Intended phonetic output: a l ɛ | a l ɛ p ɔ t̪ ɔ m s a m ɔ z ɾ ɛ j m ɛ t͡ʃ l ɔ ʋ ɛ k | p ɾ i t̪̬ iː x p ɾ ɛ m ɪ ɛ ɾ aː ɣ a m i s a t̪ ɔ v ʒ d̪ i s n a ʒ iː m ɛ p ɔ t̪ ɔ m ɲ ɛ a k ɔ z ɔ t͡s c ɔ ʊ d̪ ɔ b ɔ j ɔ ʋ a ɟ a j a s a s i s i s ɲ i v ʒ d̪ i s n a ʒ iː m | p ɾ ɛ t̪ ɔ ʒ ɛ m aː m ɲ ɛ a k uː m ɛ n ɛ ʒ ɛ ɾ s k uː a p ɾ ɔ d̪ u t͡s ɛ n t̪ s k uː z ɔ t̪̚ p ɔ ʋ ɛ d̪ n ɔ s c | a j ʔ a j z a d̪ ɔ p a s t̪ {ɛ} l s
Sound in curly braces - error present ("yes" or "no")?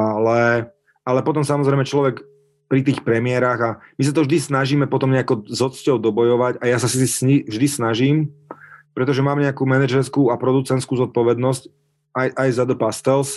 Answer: no